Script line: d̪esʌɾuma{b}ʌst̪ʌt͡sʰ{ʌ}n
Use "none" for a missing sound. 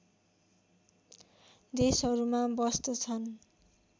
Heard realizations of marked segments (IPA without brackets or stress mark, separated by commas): b, ʌ